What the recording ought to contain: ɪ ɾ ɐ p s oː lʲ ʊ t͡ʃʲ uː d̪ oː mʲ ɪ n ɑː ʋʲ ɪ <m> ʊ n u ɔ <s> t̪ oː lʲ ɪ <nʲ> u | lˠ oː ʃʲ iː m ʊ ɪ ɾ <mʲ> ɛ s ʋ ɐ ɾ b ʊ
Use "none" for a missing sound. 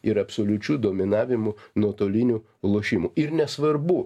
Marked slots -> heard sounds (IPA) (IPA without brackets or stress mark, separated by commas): m, none, nʲ, nʲ